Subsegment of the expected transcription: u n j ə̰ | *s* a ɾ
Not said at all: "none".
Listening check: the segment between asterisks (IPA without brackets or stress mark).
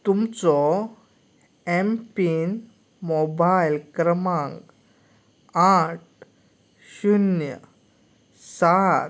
s